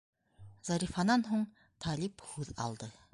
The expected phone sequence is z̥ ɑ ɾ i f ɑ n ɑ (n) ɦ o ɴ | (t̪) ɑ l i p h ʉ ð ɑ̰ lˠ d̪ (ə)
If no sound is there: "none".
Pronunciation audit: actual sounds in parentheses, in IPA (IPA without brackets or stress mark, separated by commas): n, t̪ʰ, ə